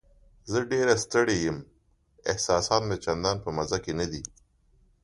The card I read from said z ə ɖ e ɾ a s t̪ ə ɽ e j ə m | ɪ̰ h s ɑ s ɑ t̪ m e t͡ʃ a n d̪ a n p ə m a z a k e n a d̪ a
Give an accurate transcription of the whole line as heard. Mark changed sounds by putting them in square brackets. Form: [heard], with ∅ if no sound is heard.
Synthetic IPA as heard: z ə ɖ e ɾ a s t̪ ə ɽ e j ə m | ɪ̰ h s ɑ s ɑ t̪ m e t͡ʃ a n d̪ [ɑ] n p ə m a z a k e n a d̪ [i]